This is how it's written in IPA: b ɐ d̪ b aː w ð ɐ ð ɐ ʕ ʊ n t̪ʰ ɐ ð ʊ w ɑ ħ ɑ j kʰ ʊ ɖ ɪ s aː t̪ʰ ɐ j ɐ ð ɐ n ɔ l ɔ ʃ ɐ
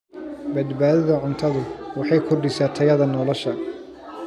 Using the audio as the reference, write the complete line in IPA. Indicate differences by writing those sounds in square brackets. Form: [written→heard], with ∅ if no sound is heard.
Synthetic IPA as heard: b ɐ d̪ b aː [w→∅] ð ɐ ð ɐ ʕ ʊ n t̪ʰ ɐ ð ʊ w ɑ ħ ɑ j kʰ ʊ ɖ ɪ s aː t̪ʰ ɐ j ɐ ð ɐ n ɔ l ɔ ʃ ɐ

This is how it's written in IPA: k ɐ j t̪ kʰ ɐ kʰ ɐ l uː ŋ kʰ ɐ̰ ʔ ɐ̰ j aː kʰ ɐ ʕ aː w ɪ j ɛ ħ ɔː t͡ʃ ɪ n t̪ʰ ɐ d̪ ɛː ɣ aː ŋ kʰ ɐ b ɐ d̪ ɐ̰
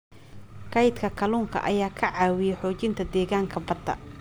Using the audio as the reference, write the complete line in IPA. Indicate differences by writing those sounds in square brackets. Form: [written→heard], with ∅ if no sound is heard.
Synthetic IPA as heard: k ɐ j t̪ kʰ ɐ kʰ ɐ l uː ŋ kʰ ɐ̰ ʔ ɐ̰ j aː kʰ ɐ ʕ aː w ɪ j ɛ ħ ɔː t͡ʃ ɪ n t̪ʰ ɐ d̪ ɛː ɣ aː ŋ kʰ ɐ b ɐ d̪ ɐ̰

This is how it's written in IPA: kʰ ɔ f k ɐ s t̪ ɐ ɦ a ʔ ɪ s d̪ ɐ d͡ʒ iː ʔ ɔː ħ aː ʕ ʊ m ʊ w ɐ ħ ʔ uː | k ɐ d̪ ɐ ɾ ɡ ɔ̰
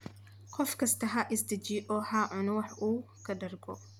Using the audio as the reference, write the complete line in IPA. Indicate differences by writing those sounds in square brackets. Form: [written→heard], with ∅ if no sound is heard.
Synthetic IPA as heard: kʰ ɔ f k ɐ s t̪ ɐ ɦ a ʔ ɪ s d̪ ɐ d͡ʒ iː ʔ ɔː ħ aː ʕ ʊ [m→n] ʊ w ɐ ħ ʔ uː | k ɐ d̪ ɐ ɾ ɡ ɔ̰

